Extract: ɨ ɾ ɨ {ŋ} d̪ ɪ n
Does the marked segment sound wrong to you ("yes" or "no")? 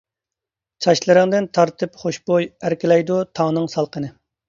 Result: no